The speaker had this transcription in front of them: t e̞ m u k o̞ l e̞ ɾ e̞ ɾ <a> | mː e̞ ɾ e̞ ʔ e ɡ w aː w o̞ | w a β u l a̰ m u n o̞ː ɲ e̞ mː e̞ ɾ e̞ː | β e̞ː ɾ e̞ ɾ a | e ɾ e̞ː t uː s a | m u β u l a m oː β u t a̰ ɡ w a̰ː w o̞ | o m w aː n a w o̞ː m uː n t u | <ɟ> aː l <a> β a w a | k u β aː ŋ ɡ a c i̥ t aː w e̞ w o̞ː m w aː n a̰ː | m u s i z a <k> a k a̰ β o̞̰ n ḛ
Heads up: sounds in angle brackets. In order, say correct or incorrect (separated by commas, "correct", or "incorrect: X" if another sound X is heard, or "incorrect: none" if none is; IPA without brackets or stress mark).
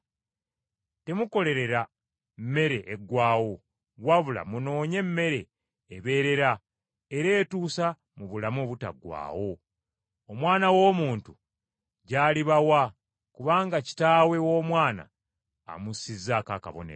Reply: correct, correct, incorrect: i, correct